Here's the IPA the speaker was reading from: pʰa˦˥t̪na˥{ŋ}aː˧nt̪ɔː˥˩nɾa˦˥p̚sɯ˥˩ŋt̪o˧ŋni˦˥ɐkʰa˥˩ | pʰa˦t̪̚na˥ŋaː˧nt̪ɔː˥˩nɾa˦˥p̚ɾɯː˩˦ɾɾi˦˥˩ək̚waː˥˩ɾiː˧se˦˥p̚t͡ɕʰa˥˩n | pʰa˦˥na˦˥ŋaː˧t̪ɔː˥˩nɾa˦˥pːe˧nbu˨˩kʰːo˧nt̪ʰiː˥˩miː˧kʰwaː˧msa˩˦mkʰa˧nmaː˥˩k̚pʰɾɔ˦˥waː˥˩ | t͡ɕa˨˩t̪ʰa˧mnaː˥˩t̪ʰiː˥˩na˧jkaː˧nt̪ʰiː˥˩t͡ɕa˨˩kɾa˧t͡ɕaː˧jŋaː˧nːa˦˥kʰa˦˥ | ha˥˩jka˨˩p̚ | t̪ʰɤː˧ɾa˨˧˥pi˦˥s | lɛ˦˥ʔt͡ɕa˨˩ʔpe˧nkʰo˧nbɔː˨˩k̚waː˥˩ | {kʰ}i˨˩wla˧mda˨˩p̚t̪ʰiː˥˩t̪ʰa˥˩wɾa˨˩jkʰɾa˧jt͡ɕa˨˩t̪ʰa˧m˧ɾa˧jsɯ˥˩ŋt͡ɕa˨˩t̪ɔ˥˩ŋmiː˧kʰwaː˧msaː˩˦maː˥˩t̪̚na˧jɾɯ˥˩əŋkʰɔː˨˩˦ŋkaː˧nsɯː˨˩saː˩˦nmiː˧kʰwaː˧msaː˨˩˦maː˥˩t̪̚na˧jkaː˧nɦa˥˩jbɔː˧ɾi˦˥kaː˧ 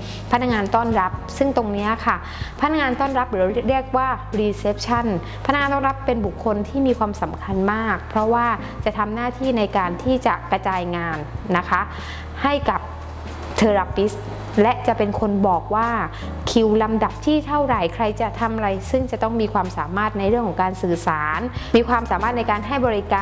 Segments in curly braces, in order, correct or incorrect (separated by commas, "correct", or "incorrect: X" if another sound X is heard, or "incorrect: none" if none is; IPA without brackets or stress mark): correct, correct